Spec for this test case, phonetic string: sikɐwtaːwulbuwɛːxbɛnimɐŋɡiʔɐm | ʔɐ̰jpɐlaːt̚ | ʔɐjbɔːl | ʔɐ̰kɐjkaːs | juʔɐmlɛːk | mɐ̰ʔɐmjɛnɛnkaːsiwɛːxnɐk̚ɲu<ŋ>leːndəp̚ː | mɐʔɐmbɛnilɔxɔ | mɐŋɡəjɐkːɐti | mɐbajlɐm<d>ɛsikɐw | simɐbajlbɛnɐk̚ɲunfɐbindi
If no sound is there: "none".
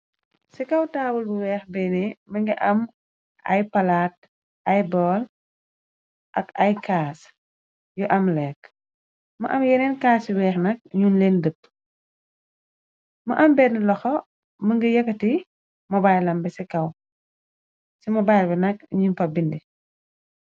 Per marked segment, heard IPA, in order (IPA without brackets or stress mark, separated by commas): n, b